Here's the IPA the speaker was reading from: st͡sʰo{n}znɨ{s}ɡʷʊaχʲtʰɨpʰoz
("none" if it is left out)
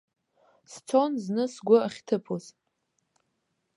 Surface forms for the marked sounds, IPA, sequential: n, s

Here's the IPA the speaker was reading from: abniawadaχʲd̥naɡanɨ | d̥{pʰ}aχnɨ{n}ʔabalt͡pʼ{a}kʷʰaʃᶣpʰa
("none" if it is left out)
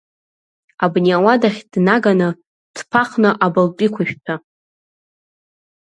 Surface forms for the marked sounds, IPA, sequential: pʰ, none, i

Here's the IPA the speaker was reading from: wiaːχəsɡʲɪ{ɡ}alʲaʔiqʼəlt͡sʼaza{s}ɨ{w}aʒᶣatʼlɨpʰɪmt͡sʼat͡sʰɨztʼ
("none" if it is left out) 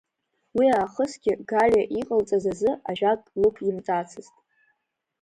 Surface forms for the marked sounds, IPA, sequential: ɡ, z, none

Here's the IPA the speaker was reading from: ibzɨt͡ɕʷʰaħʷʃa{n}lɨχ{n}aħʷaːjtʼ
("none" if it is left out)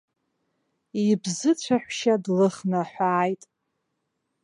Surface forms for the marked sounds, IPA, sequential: d, n

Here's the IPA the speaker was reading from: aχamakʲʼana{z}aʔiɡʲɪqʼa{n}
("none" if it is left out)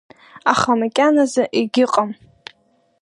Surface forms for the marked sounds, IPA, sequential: z, m

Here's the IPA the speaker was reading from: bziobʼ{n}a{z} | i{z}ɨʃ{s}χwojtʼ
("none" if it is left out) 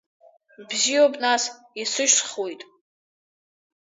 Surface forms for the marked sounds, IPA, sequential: n, s, s, s

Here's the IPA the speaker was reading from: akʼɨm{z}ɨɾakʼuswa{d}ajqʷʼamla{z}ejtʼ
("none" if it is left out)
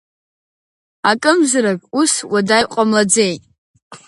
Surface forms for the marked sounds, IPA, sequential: z, d, d͡z

